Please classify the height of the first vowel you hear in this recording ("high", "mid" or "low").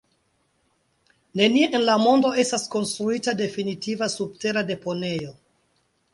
mid